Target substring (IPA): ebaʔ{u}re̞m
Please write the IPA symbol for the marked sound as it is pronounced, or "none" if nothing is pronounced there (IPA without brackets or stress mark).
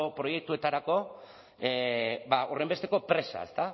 o